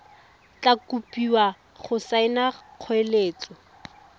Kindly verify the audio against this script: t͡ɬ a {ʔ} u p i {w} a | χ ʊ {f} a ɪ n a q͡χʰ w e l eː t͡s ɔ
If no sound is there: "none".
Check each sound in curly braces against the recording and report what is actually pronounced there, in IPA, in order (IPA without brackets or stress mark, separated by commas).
k, w, s